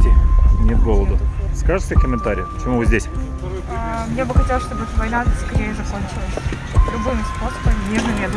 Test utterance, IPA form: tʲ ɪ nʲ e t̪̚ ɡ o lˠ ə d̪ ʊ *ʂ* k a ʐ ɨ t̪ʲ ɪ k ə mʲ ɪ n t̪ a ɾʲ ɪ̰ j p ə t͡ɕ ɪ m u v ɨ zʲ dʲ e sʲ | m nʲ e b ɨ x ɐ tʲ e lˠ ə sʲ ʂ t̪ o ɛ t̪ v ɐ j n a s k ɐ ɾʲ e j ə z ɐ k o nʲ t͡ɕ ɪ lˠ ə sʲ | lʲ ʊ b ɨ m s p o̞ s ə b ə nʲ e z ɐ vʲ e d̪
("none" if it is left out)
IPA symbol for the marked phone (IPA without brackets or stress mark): s